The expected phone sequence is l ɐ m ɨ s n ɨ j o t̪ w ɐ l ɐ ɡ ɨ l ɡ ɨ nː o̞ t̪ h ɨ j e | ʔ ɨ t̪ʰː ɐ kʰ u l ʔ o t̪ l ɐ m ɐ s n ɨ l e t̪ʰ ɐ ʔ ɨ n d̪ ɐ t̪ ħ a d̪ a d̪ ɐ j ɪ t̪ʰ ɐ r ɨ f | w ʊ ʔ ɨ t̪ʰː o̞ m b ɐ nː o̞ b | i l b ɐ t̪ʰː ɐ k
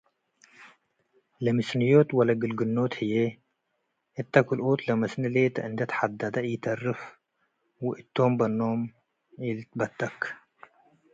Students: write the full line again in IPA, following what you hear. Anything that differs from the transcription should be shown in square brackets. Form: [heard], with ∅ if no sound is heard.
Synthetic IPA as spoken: l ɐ m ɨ s n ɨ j o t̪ w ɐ l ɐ ɡ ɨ l ɡ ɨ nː o̞ t̪ h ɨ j e | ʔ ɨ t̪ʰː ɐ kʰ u l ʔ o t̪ l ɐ m ɐ s n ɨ l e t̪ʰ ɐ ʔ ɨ n d̪ ɐ t̪ ħ a d̪ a d̪ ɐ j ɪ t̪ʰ ɐ r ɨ f | w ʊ ʔ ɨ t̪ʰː o̞ m b ɐ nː o̞ [m] | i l b ɐ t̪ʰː ɐ k